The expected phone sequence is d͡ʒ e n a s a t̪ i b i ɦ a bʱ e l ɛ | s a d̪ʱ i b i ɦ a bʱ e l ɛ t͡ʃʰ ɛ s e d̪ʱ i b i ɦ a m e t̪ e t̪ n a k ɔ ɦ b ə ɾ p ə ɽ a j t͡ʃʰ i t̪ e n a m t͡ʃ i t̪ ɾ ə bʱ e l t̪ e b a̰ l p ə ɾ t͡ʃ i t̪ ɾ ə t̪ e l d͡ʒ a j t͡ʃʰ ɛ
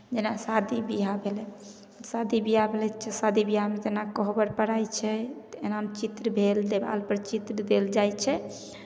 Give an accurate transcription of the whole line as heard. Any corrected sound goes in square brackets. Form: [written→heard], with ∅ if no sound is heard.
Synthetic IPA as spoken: d͡ʒ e n a s a [t̪→d̪] i b i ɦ a bʱ e l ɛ | s a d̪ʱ i b i ɦ a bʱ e l ɛ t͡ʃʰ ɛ s [e→a] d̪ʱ i b i ɦ a m e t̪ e [t̪→∅] n a k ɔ ɦ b ə ɾ p ə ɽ a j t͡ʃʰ [i→ɛ] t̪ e n a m t͡ʃ i t̪ ɾ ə bʱ e l [t̪→d̪] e b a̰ l p ə ɾ t͡ʃ i t̪ ɾ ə [t̪→d̪] e l d͡ʒ a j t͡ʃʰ ɛ